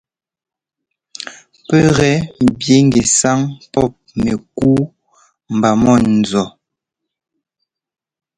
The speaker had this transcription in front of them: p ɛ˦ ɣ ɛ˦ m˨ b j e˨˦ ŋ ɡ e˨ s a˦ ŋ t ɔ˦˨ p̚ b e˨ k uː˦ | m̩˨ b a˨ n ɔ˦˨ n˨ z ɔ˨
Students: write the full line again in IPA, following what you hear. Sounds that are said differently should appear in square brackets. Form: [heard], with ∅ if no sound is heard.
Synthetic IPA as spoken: p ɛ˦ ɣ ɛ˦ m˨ b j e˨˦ ŋ ɡ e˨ s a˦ ŋ [p] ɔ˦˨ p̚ [m] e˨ k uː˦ | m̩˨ b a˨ [m] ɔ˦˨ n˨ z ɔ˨